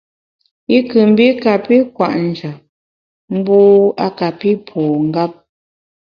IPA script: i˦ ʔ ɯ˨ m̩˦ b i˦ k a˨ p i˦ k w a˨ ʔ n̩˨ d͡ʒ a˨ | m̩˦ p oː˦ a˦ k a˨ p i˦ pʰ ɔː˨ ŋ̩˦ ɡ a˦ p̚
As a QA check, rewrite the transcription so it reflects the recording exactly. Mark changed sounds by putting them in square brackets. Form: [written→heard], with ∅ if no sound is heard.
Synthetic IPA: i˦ [ʔ→k] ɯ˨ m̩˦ b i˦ k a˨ p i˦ k w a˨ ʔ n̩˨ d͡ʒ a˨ | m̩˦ [p→b] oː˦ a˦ k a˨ p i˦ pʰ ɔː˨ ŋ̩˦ ɡ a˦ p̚